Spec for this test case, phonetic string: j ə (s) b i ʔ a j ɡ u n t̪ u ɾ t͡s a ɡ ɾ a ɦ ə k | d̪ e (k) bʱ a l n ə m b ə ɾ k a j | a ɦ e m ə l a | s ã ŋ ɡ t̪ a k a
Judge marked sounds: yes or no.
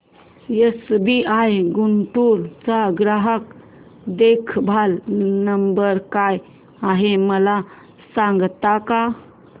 yes, no

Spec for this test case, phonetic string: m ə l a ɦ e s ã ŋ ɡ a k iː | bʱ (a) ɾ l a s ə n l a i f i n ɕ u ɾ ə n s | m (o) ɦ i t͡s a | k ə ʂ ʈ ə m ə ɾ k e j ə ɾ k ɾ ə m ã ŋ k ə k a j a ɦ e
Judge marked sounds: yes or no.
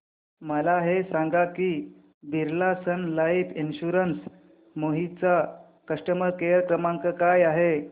no, yes

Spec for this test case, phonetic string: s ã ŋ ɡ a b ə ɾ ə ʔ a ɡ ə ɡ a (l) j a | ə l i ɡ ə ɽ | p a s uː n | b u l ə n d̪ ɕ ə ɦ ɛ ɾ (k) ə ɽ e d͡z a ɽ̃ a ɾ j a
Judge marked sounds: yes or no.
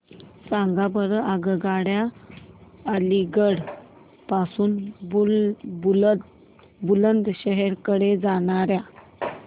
no, yes

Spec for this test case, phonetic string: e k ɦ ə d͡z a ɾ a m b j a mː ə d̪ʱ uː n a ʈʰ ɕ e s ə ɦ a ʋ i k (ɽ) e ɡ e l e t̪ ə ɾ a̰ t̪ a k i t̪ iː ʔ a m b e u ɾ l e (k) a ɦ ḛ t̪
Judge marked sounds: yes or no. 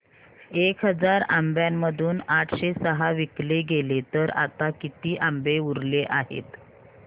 no, no

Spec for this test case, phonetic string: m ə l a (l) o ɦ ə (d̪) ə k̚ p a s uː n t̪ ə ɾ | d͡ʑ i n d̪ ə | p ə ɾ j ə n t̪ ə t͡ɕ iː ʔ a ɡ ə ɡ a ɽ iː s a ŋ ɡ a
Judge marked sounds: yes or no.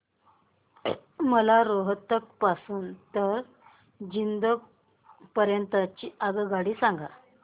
no, no

